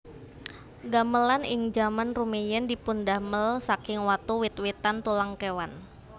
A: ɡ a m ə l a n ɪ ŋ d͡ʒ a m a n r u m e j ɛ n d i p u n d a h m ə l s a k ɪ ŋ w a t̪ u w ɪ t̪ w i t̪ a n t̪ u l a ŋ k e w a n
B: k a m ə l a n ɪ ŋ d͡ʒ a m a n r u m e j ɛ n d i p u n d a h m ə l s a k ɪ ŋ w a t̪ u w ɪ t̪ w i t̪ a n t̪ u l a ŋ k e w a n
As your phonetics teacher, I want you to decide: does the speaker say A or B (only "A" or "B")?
A